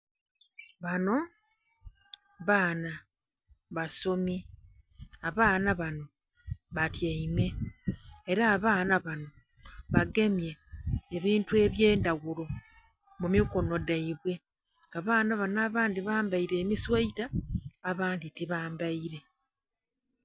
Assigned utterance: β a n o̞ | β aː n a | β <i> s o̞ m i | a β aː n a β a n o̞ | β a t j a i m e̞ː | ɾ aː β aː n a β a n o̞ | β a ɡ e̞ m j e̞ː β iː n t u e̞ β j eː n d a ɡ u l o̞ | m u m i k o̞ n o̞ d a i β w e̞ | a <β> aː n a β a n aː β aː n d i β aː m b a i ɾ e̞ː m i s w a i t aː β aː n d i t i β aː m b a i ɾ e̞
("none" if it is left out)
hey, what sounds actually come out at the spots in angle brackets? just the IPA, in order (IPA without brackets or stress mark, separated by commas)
a, β